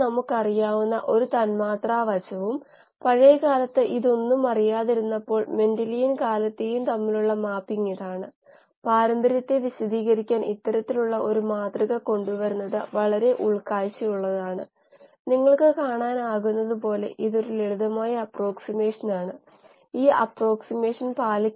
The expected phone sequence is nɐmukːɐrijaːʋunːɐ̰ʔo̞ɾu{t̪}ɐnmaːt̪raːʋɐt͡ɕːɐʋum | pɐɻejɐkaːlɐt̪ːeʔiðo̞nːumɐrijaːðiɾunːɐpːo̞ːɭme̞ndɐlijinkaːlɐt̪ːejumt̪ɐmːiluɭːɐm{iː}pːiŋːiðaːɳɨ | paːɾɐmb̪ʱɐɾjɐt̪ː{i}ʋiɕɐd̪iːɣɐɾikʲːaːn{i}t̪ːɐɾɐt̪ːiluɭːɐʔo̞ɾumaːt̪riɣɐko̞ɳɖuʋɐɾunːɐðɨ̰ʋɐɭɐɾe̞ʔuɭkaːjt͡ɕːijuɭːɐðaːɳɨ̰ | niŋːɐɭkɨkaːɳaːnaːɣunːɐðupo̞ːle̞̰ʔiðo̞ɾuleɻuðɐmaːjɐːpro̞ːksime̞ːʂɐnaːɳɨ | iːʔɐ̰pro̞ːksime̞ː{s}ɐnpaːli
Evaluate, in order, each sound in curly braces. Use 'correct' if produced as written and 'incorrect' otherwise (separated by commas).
correct, incorrect, incorrect, correct, incorrect